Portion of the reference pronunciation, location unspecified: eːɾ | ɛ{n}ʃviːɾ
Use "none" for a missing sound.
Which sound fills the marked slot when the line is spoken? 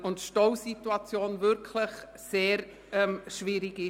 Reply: m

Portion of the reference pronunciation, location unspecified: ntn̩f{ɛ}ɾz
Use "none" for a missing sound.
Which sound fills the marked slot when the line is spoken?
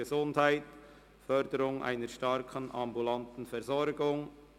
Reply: ɛ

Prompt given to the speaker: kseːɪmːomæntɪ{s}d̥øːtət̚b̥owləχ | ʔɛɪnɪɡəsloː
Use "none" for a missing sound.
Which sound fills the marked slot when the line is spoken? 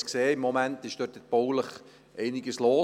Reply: ʃ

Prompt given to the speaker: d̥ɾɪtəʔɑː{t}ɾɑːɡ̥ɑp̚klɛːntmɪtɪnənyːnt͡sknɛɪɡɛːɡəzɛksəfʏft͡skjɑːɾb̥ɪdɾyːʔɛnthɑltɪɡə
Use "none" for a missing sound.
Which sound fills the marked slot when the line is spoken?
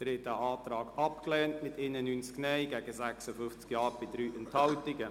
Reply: t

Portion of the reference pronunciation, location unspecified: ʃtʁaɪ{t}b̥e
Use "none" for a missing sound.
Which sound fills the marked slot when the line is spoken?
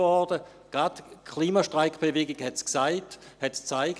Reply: k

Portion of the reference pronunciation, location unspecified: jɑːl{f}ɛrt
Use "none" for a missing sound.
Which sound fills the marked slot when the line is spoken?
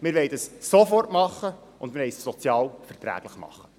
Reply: f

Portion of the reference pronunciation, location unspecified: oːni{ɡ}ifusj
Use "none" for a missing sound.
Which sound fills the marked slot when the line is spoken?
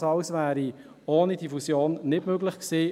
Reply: d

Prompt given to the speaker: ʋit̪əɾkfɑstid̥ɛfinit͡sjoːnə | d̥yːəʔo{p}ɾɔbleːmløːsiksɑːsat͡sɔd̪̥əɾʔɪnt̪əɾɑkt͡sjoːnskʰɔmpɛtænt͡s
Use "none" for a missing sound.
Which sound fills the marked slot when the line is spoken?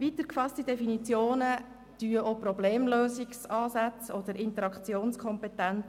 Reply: p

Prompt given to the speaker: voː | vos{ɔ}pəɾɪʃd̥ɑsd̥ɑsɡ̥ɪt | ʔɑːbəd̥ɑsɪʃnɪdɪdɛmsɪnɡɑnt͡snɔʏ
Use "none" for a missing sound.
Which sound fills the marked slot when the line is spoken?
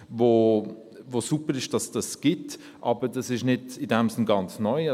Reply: u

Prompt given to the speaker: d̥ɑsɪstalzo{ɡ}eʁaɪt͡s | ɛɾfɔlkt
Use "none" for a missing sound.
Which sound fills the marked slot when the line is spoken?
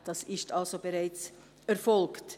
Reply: b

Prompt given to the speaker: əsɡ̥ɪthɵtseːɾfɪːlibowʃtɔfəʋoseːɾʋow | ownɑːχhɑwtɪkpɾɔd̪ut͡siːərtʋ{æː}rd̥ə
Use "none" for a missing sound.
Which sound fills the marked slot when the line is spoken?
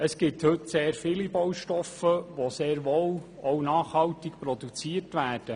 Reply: æː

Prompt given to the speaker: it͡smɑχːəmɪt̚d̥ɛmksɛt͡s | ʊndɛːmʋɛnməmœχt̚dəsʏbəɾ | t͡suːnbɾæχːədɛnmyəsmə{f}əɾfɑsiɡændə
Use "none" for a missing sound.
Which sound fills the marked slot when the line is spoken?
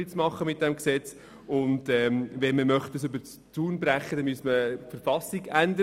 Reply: f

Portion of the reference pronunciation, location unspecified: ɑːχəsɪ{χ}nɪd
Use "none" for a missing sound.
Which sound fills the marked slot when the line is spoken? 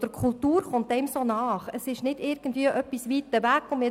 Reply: ʃ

